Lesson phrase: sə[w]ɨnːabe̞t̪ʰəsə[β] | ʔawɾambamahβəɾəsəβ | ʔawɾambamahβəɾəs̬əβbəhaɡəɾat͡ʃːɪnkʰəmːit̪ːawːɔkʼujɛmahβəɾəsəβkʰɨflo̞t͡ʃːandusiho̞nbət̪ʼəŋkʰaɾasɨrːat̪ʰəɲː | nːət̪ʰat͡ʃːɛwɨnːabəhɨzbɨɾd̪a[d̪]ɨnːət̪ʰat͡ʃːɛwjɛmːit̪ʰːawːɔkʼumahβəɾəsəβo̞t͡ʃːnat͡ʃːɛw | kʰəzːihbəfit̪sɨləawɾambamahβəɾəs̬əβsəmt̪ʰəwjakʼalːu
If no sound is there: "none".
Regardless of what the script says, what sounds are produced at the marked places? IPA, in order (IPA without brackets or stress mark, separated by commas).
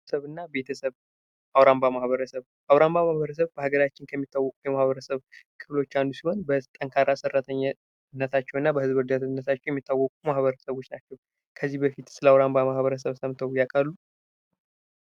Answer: β, β, t̪